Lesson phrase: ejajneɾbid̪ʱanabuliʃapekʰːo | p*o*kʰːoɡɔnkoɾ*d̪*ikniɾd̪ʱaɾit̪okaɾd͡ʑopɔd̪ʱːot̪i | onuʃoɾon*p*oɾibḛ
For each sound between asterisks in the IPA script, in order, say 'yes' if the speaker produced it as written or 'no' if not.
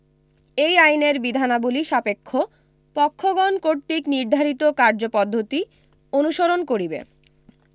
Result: no, no, no

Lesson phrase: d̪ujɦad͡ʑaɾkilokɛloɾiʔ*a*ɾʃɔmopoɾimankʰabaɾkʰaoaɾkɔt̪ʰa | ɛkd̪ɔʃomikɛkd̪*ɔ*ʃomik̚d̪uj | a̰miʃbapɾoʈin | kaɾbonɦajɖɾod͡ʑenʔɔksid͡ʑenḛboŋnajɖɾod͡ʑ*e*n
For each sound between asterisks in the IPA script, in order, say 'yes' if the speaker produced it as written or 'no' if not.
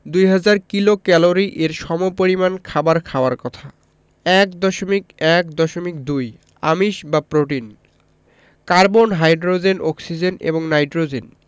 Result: no, yes, yes

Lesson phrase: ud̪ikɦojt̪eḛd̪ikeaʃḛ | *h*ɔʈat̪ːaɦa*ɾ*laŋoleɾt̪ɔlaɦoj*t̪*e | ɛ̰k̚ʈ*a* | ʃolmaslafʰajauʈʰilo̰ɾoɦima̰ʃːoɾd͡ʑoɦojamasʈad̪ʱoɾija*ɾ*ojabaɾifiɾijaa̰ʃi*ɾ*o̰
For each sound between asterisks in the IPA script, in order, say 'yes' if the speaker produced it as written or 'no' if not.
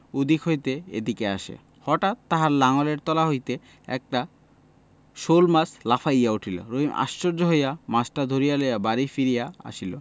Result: yes, yes, yes, yes, no, no

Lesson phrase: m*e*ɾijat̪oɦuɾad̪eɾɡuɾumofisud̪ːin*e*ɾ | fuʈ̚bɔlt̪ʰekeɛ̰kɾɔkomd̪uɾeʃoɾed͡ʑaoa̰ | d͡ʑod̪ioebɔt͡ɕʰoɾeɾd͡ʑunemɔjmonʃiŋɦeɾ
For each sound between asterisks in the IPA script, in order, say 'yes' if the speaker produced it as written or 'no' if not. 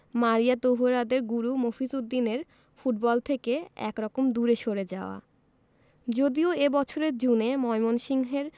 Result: no, yes

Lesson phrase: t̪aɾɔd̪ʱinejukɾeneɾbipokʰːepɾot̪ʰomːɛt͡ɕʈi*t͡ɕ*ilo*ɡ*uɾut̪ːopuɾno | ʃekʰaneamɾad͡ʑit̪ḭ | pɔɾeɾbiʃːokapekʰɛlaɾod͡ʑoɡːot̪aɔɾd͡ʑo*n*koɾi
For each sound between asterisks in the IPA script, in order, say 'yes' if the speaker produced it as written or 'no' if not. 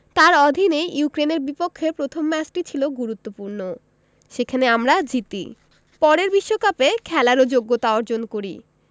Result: no, yes, yes

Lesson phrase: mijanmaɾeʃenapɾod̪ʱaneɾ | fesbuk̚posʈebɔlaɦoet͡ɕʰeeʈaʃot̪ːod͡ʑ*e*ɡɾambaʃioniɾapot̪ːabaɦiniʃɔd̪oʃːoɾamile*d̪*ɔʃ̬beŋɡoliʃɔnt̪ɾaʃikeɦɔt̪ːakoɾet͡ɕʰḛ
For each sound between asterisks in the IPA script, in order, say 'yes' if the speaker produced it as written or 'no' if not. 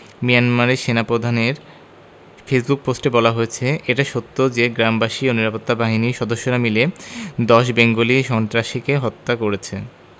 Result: yes, yes

